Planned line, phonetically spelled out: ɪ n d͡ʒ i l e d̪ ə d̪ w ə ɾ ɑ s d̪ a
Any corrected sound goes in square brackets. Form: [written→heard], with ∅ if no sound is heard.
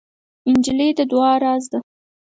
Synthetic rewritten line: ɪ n d͡ʒ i l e d̪ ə d̪ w [ə→ɑ] ɾ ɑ [s→z] d̪ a

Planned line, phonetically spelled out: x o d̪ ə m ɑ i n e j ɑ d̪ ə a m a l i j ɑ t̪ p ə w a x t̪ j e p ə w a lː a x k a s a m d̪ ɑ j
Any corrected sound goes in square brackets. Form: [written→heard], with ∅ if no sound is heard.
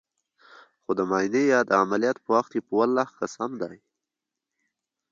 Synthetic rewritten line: x o d̪ ə m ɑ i n e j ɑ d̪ ə a m a l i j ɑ t̪ p ə w a x t̪ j e p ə w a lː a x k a s a m d̪ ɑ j

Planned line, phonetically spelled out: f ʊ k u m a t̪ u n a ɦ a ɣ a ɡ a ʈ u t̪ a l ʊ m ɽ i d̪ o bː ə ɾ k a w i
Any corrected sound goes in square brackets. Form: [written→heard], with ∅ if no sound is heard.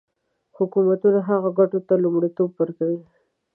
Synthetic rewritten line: [f→h] ʊ k u m a t̪ u n a ɦ a ɣ a ɡ a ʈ [u→o] t̪ a l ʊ m ɽ i [d̪→t̪] o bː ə ɾ k a w i

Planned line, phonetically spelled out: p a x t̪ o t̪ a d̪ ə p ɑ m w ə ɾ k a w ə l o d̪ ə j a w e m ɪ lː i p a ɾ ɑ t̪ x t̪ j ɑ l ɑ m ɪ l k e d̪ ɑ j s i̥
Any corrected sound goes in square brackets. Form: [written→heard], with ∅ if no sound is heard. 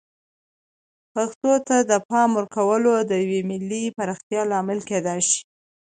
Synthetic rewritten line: p a x t̪ o t̪ a d̪ ə p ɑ m w ə ɾ k a w ə l o d̪ ə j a w e m ɪ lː i p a ɾ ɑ [t̪→∅] x t̪ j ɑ l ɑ m ɪ l k e d̪ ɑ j [s→ʃ] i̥

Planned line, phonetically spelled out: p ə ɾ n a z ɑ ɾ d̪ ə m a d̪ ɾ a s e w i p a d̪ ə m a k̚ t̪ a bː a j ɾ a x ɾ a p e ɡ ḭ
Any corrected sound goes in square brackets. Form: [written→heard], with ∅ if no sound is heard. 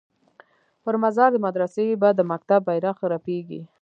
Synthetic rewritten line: p ə ɾ [n→m] a z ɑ ɾ d̪ ə m a d̪ ɾ a s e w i [p→b] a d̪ ə m a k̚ t̪ a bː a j ɾ a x ɾ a p e ɡ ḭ

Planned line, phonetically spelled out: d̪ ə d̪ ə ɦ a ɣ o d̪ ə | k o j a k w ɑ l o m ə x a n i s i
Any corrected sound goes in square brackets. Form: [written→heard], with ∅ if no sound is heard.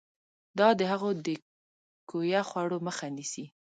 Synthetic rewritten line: d̪ [ə→ɑ] d̪ ə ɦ a ɣ o d̪ ə | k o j a [k→x] w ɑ [l→ɽ] o m ə x a n i s i

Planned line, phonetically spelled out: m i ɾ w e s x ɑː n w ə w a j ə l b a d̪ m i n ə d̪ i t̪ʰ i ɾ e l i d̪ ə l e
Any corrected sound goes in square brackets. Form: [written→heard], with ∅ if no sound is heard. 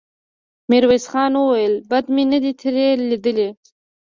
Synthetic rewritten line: m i ɾ w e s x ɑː n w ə w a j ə l b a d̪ m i n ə d̪ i t̪ʰ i ɾ e l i d̪ ə l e

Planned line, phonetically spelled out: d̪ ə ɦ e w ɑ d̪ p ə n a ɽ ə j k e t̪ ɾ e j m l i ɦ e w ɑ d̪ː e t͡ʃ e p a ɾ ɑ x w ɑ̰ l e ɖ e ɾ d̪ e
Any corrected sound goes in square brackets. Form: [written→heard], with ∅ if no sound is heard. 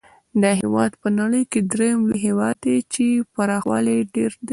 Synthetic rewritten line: d̪ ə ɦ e w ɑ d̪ p ə n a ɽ ə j k e [t̪→d̪] ɾ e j m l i ɦ e w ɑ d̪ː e t͡ʃ e p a ɾ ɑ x w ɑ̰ l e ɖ e ɾ d̪ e

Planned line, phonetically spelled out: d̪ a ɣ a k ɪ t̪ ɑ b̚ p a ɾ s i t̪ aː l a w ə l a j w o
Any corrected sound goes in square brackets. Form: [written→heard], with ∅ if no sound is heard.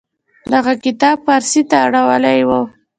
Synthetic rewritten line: d̪ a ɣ a k ɪ t̪ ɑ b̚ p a ɾ s i t̪ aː [l→ɽ] a w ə l a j w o

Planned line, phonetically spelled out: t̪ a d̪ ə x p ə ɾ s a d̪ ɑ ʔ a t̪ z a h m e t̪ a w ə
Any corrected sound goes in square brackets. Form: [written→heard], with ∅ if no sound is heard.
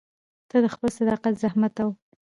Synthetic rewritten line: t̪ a d̪ ə x p ə [ɾ→l] s a d̪ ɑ [ʔ→q] a t̪ z a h m [e→a] t̪ a w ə

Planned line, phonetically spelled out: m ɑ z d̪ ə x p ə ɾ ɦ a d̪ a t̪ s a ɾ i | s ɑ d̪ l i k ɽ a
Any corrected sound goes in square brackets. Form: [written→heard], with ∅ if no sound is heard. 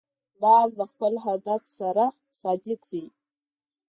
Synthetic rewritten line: [m→b] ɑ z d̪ ə x p ə [ɾ→l] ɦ a d̪ a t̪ s a ɾ [i→a] | s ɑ d̪ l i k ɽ [a→i]

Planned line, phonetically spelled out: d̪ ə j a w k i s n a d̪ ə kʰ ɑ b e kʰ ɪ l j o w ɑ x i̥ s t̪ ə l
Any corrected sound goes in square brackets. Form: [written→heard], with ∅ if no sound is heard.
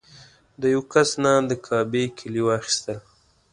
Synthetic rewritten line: d̪ ə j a w k [i→a] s n a d̪ ə kʰ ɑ b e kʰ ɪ l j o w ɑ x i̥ s t̪ ə l

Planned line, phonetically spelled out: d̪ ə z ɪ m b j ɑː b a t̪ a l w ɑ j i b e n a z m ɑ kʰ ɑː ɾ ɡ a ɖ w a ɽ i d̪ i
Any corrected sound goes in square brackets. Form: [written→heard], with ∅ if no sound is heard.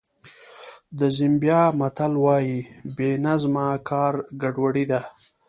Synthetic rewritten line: d̪ ə z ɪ m b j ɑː [b→m] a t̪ a l w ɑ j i b e n a z m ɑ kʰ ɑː ɾ ɡ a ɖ w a ɽ i d̪ [i→a]

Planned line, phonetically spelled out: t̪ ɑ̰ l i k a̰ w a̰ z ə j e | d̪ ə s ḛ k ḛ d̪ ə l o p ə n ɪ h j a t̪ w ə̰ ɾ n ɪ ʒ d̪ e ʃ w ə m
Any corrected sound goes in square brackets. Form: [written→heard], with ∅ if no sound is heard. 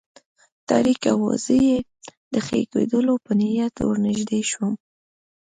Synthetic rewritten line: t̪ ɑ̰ [l→ɾ] i k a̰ w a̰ z ə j e | d̪ ə [s→x] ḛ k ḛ d̪ ə l o p ə n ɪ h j a t̪ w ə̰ ɾ n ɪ ʒ d̪ e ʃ w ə m

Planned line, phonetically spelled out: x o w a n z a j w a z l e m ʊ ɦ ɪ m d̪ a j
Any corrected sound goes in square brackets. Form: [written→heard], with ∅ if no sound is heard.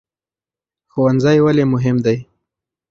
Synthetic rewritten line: x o w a n z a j w a [z→∅] l e m ʊ ɦ ɪ m d̪ a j

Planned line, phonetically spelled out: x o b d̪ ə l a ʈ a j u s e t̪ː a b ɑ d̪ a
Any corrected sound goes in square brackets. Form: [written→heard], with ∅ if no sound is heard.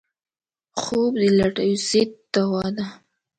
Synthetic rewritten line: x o b d̪ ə l a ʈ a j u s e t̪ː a [b→w] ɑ d̪ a

